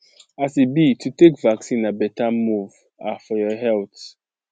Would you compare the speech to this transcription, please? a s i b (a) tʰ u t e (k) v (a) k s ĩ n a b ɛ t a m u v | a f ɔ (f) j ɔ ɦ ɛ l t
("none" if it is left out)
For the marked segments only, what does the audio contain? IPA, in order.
i, k, a, none

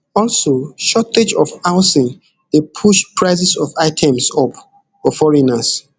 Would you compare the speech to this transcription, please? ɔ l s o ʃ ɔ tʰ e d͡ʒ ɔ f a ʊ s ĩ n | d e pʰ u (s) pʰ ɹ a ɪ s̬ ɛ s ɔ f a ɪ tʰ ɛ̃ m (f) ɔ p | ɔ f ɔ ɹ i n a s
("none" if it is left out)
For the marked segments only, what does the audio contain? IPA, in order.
ʃ, s

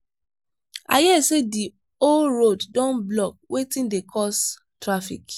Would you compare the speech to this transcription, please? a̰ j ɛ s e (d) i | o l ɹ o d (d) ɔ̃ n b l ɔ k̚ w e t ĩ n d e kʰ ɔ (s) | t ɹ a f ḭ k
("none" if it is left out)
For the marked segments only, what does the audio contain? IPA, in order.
d, d, s

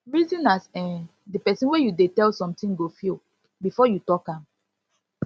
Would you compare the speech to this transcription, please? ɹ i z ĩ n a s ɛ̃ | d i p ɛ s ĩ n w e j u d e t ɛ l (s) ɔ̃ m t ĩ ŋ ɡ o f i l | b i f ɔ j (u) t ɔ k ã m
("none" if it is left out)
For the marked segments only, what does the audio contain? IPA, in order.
s, u

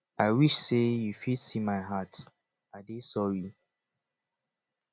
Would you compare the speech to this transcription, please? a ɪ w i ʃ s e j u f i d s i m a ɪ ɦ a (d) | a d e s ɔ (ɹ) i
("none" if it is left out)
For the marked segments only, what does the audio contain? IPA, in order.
t, ɹ

